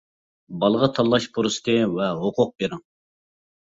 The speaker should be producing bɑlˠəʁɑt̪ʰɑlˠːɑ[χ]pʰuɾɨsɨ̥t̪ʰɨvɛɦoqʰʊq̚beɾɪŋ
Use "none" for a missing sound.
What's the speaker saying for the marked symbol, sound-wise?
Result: ʃ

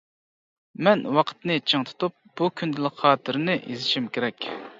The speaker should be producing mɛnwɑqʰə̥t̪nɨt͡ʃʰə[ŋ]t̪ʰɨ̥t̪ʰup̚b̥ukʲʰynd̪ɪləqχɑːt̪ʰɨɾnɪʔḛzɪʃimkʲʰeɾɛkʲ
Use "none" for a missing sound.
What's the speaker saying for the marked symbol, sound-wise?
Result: ŋ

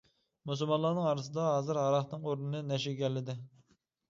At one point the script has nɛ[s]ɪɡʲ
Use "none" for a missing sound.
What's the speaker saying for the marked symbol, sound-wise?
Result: ʃ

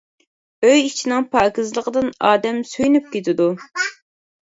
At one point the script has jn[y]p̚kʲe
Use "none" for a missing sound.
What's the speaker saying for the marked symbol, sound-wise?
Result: y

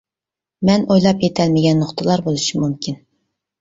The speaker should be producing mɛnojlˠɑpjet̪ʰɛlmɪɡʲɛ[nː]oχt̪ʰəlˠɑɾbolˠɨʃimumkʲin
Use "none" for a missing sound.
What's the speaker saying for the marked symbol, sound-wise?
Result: nː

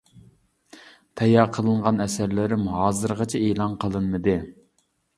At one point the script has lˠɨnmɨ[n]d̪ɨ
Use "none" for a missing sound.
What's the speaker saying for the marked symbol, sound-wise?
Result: none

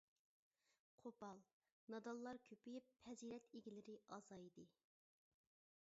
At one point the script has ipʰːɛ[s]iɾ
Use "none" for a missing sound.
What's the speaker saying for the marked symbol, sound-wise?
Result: z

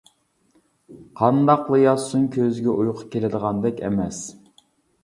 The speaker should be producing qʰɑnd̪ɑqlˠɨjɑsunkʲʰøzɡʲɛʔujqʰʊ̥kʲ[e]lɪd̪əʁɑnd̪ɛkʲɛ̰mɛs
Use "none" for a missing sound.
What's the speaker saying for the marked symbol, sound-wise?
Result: e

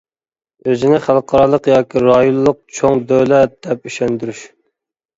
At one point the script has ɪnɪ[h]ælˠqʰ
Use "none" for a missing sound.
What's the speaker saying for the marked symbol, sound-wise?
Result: χ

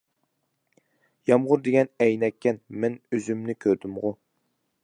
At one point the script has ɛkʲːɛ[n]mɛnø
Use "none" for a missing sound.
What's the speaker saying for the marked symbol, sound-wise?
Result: n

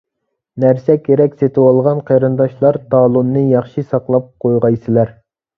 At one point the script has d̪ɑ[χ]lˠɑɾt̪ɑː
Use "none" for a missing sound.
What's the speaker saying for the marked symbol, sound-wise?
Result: ʃ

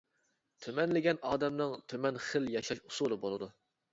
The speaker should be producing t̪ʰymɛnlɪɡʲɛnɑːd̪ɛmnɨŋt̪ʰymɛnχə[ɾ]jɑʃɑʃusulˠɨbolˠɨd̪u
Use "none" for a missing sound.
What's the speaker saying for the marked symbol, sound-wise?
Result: l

